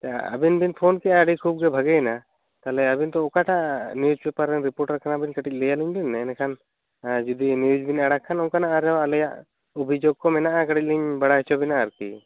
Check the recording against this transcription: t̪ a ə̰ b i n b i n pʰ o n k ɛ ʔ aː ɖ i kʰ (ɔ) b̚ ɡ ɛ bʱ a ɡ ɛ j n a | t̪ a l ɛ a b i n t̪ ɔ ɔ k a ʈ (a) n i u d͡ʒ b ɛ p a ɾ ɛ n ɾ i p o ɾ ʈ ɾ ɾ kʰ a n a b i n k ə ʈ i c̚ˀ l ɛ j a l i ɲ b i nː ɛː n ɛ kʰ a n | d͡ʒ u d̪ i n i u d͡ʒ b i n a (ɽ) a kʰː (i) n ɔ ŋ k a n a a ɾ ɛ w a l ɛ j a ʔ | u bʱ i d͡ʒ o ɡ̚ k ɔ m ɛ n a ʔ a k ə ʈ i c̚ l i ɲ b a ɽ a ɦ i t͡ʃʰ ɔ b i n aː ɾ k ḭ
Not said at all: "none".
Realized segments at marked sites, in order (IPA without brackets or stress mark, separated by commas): u, a, ɽ, a